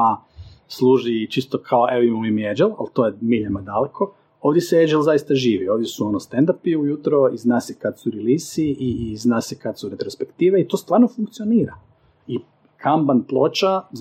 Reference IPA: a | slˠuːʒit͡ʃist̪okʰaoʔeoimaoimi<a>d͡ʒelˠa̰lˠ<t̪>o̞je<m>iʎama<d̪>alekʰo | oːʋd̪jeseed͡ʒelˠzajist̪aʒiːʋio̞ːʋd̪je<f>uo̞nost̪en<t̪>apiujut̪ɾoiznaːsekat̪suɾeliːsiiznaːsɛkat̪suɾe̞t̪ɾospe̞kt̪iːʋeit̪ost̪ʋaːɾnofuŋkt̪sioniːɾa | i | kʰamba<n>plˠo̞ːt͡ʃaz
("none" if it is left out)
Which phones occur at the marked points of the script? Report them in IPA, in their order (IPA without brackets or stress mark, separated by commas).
e, t̪, m, d̪, s, d̪, n